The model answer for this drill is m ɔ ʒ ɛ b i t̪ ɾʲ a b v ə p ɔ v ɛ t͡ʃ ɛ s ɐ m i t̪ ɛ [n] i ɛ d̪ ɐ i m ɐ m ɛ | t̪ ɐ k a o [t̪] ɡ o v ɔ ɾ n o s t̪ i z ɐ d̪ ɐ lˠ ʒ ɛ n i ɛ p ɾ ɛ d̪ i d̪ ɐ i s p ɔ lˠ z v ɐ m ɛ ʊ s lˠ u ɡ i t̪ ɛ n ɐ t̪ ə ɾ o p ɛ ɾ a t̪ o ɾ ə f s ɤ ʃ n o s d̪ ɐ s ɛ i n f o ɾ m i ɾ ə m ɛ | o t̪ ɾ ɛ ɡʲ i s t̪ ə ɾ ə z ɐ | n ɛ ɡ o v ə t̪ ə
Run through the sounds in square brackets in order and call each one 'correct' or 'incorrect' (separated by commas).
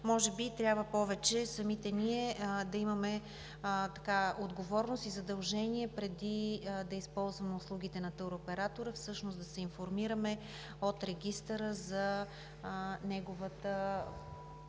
correct, incorrect